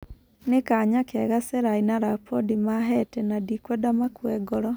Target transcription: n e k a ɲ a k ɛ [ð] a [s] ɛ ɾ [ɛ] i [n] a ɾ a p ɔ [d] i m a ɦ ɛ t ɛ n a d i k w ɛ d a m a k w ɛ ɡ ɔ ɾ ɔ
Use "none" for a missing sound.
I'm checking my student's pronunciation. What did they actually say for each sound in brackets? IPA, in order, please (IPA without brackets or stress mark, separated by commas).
ɣ, s, a, n, d